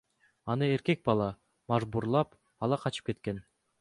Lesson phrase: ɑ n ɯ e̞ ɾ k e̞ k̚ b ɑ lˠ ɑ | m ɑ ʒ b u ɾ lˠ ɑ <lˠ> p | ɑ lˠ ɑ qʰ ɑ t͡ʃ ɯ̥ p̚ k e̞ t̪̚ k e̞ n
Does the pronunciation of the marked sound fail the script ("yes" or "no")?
yes